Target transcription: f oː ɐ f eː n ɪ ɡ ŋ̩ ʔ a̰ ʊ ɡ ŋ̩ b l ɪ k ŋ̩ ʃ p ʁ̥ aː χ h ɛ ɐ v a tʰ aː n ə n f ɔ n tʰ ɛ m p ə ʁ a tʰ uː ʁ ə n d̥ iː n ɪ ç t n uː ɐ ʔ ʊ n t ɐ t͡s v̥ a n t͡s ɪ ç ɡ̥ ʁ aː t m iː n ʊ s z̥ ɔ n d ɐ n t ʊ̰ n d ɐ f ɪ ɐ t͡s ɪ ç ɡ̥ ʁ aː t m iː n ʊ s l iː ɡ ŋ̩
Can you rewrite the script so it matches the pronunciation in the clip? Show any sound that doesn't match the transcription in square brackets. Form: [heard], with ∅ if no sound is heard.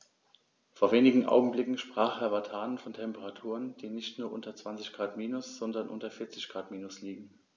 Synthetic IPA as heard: f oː ɐ [v] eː n ɪ ɡ ŋ̩ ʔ a̰ ʊ ɡ ŋ̩ b l ɪ k ŋ̩ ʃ p ʁ̥ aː χ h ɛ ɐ v a tʰ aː n ə n f ɔ n tʰ ɛ m p ə ʁ a tʰ uː ʁ ə n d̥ iː n ɪ ç t n uː ɐ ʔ ʊ n t ɐ t͡s v̥ a n t͡s ɪ ç ɡ̥ ʁ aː t m iː n ʊ s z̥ ɔ n d ɐ n [ʔ] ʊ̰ n [t] ɐ f ɪ ɐ t͡s ɪ ç ɡ̥ ʁ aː t m iː n ʊ s l iː ɡ ŋ̩